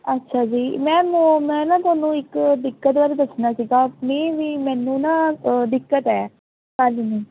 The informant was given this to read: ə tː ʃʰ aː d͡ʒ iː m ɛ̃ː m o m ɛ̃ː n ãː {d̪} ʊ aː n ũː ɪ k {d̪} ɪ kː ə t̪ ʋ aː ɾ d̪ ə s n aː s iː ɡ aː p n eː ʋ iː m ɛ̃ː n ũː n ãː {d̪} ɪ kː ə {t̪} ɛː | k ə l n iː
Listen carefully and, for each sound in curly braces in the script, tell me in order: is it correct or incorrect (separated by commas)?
incorrect, correct, correct, correct